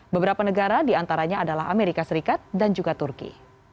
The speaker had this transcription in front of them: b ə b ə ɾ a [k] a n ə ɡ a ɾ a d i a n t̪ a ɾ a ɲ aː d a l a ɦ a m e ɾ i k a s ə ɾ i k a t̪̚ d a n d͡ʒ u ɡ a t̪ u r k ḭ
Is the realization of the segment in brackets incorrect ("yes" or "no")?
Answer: yes